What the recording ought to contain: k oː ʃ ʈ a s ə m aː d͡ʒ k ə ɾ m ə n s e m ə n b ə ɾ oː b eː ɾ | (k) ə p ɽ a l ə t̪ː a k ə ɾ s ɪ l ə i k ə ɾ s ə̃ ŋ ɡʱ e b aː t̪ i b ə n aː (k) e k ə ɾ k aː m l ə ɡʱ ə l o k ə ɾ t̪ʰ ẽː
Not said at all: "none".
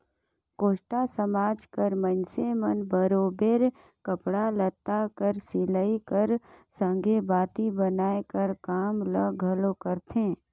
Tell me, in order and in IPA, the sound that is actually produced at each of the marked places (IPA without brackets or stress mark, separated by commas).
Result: k, none